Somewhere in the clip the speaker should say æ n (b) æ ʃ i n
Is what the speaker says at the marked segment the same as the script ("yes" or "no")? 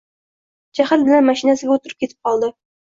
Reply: no